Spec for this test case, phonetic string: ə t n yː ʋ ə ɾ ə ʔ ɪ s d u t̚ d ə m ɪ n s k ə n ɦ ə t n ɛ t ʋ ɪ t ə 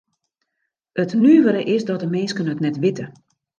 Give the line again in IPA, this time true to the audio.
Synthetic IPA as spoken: ə t n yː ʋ ə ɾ ə ʔ ɪ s d ɔ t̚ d ə m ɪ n s k ə n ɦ ə t n ɛ t ʋ ɪ t ə